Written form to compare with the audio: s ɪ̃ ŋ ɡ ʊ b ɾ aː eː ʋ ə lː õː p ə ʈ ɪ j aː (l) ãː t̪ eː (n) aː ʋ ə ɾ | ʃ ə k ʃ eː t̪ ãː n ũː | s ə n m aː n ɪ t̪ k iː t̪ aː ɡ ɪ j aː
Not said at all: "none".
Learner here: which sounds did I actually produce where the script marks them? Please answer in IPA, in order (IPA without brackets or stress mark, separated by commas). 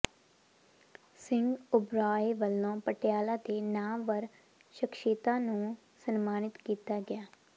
l, n